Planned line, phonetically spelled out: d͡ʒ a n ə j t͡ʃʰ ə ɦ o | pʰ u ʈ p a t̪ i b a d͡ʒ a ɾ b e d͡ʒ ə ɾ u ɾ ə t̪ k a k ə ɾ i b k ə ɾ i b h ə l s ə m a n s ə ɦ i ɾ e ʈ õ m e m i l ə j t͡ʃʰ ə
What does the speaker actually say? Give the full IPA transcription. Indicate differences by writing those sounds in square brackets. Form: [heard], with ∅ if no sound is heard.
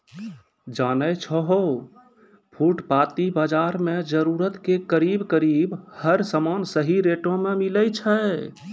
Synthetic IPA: d͡ʒ a n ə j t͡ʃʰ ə ɦ o | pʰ u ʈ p a t̪ i b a d͡ʒ a ɾ [m] e d͡ʒ ə ɾ u ɾ ə t̪ k [e] k ə ɾ i b k ə ɾ i b h ə [ɾ] s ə m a n s ə ɦ i ɾ e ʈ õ m e m i l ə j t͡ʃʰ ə